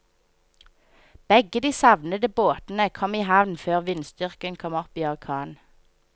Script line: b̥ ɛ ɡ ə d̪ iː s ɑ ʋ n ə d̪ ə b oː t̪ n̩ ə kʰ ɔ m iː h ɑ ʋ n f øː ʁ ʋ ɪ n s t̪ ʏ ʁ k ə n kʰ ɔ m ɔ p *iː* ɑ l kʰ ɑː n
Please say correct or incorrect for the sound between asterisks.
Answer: correct